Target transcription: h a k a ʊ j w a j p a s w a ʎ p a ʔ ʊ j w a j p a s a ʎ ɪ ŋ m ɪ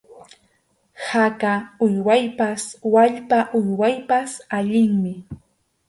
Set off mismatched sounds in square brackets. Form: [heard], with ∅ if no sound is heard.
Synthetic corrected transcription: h a k a ʊ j w a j p a s w a ʎ p a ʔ ʊ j w a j p a s a ʎ ɪ ŋ m ɪ